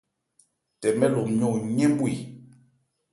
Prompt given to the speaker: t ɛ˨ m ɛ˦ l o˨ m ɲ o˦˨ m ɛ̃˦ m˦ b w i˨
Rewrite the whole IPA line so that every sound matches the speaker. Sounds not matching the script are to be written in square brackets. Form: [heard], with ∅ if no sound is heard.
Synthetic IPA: t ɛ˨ m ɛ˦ l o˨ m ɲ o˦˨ [ɲ] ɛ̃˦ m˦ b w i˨